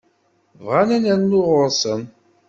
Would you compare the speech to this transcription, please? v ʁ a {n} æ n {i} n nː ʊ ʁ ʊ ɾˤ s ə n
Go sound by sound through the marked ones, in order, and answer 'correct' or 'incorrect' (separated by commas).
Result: correct, incorrect